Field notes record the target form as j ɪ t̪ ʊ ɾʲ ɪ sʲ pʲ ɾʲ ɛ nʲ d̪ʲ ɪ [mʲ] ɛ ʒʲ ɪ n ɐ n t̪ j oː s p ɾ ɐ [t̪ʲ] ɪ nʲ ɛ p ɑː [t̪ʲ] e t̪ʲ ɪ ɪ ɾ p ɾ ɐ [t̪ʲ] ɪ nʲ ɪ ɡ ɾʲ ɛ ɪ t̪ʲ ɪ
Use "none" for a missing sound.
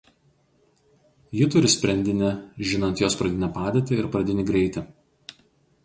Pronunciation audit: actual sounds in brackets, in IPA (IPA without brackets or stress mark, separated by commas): nʲ, d̪ʲ, d̪ʲ, d̪ʲ